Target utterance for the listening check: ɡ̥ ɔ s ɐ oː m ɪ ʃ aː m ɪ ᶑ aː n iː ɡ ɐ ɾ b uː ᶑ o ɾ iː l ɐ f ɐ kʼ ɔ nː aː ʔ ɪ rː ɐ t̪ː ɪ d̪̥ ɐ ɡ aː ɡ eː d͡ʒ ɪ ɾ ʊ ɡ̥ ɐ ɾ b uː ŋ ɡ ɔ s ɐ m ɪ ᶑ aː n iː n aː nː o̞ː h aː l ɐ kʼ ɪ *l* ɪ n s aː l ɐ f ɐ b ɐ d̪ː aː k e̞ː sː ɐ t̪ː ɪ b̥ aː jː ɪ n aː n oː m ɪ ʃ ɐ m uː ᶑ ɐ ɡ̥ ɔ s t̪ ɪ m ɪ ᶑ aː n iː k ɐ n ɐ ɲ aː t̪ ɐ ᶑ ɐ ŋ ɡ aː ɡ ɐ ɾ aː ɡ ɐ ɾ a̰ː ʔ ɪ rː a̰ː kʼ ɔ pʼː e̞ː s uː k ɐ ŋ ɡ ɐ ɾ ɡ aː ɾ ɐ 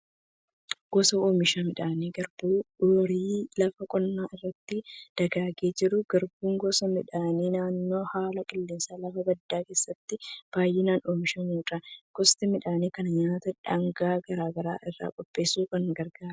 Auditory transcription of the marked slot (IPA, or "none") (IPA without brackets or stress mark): lː